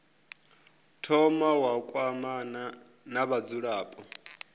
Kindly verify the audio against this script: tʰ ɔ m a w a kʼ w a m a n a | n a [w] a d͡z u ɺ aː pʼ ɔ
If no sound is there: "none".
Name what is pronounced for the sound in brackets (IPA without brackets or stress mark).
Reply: β